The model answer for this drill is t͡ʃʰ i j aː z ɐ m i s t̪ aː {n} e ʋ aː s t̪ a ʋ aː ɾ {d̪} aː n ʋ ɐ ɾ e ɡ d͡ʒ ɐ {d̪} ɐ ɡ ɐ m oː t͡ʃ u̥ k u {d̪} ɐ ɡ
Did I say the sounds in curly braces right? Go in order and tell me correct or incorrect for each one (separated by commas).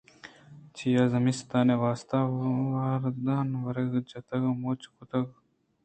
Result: correct, correct, incorrect, incorrect